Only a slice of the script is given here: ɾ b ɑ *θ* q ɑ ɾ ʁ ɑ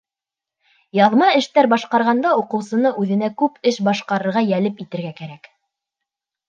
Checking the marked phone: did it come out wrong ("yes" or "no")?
yes